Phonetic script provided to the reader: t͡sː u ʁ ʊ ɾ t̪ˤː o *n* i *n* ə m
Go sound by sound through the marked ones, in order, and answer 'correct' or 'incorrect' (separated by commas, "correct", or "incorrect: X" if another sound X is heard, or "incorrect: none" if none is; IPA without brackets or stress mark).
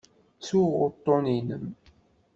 correct, correct